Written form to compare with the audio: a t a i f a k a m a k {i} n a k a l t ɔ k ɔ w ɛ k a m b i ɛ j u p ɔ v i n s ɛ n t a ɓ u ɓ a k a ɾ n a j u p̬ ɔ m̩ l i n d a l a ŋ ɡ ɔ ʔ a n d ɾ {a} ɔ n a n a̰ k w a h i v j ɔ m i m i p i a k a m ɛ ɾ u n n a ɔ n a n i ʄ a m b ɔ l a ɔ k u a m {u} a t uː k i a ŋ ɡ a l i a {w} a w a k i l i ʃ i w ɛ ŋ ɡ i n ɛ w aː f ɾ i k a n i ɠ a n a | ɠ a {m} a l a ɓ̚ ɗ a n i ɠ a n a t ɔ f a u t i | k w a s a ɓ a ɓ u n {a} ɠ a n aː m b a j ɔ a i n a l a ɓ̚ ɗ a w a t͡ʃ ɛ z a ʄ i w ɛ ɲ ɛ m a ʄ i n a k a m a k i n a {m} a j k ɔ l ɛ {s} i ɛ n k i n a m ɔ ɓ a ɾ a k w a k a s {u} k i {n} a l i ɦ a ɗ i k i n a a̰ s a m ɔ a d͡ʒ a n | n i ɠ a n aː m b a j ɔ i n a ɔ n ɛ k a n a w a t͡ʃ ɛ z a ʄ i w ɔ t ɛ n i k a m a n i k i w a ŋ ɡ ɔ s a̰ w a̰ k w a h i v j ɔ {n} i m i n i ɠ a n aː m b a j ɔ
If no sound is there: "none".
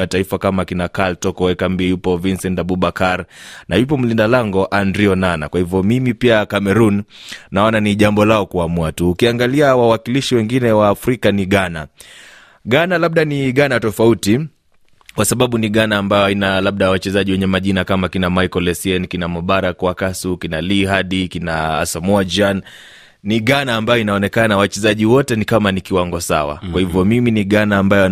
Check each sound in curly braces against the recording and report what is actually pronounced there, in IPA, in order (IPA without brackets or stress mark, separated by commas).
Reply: i, i, u, w, n, i, m, s, u, n, m